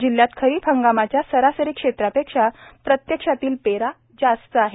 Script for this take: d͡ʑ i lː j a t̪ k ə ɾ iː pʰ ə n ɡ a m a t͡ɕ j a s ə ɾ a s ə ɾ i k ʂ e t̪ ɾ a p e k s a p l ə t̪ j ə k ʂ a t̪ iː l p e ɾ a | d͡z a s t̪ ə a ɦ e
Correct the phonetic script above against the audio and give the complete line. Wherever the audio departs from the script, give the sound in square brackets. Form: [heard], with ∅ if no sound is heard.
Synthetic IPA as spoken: d͡ʑ i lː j a t̪ [kʰ] ə ɾ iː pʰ ə [ŋ] ɡ a m a t͡ɕ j a s ə ɾ a s ə ɾ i k ʂ e t̪ ɾ a p e k [ʂ] a p [ɾ] ə t̪ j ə k ʂ a t̪ iː l p e ɾ a | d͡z a s t̪ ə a ɦ e